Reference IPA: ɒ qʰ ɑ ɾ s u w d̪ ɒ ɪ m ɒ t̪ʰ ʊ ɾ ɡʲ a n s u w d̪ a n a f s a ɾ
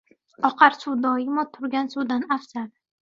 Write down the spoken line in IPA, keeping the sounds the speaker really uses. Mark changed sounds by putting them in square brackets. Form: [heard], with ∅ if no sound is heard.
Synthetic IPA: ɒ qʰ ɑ ɾ s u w d̪ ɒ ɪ m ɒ t̪ʰ ʊ ɾ ɡʲ a n s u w d̪ a n a f s a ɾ